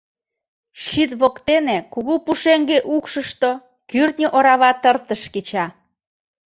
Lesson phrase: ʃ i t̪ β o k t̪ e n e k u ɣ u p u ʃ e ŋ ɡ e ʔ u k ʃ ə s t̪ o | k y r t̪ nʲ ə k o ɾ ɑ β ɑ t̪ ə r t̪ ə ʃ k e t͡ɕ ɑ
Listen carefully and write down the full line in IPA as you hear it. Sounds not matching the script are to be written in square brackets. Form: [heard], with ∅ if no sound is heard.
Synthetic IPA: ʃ i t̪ β o k t̪ e n e k u ɣ u p u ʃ e ŋ ɡ e ʔ u k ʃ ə [ʃ] t̪ o | k y r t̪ nʲ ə [ʔ] o ɾ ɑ β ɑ t̪ ə r t̪ ə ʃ k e t͡ɕ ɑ